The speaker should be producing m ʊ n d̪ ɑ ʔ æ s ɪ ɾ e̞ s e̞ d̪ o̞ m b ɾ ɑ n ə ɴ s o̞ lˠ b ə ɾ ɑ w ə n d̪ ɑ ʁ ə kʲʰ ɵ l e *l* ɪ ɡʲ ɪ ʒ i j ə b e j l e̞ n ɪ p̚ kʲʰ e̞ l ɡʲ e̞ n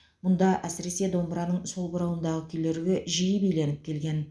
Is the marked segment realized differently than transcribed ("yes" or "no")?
yes